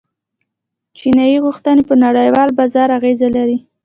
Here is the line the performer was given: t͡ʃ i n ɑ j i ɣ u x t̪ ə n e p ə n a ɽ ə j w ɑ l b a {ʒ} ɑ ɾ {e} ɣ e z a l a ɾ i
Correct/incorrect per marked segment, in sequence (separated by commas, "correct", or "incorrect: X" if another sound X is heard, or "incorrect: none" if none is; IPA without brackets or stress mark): incorrect: z, incorrect: a